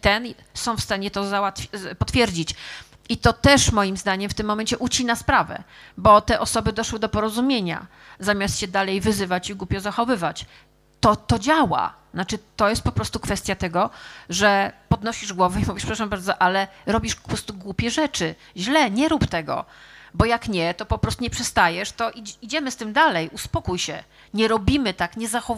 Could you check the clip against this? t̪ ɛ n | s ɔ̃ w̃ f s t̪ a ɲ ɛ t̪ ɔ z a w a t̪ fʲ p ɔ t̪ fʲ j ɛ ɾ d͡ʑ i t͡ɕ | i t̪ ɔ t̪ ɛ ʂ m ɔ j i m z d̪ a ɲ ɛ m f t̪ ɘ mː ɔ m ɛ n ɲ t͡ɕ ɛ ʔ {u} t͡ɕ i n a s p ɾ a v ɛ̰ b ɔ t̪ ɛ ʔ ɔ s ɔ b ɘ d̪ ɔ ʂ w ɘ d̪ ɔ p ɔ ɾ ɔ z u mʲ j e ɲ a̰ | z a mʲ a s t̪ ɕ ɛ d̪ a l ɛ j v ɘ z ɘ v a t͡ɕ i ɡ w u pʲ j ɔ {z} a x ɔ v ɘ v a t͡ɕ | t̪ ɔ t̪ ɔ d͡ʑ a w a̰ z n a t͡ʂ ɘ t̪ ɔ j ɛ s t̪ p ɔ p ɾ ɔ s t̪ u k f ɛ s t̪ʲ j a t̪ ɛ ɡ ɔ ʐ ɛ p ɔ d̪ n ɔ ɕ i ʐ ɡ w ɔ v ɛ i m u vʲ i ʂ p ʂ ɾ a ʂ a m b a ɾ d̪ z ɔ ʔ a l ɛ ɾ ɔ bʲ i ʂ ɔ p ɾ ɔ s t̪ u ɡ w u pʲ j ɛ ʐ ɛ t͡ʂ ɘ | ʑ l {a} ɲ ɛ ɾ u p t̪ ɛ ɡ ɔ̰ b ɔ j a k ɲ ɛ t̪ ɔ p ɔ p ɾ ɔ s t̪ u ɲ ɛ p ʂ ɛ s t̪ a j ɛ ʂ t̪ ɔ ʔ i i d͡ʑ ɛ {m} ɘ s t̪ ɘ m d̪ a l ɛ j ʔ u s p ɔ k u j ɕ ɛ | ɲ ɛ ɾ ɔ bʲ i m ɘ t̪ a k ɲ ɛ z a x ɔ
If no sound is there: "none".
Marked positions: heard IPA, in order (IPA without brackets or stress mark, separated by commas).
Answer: u, z, ɛ, m